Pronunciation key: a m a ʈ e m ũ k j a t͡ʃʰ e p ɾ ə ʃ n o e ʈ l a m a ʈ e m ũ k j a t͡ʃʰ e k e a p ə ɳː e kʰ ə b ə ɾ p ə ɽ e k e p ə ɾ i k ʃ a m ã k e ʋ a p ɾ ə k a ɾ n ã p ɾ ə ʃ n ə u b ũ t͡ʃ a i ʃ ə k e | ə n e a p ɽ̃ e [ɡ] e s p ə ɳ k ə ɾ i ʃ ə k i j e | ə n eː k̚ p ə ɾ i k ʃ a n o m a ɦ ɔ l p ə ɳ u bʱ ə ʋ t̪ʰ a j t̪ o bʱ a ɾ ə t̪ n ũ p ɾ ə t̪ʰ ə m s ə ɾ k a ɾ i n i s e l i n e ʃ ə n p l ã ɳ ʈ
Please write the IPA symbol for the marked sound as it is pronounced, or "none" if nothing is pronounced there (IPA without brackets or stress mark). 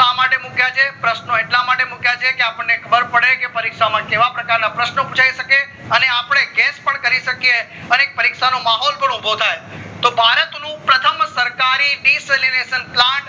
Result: ɡ